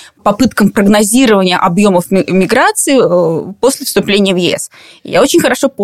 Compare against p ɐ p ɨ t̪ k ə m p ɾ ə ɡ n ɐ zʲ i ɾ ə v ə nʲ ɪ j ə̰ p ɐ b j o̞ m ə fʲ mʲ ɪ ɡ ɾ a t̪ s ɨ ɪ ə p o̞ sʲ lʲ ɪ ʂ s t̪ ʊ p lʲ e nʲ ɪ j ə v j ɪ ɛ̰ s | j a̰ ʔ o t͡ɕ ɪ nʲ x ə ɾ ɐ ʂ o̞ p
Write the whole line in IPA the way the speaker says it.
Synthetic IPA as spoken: p ɐ p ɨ t̪ k ə m p ɾ ə ɡ n ɐ zʲ i ɾ ə v ə nʲ ɪ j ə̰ ʔ ɐ b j o̞ m ə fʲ mʲ ɪ ɡ ɾ a t̪ s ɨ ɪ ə p o̞ sʲ lʲ ɪ f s t̪ ʊ p lʲ e nʲ ɪ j ə v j ɪ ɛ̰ s | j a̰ o t͡ɕ ɪ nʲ x ə ɾ ɐ ʂ o̞ p